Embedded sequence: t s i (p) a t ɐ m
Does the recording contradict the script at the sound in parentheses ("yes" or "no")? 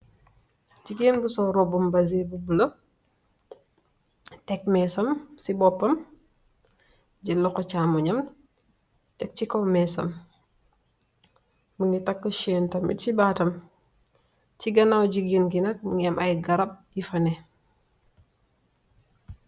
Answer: yes